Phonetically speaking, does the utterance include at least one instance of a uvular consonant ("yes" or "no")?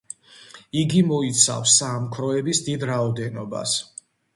no